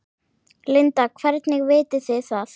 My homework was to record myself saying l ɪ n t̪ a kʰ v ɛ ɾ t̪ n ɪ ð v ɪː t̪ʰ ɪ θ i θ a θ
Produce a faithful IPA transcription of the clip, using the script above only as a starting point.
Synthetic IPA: l ɪ n t̪ a kʰ v ɛ ɾ t̪ n ɪ ɣ v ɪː t̪ ɪ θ ɪ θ a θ